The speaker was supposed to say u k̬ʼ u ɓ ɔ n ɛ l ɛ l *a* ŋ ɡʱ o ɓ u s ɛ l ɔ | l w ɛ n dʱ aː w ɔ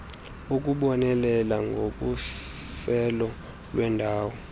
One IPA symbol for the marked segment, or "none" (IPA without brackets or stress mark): a